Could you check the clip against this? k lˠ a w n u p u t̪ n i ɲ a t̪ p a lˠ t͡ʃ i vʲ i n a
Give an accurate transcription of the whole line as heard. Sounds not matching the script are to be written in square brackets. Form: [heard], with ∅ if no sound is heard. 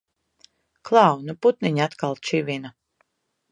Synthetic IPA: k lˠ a w n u p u t̪ n i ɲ a t̪ [k] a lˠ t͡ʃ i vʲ i n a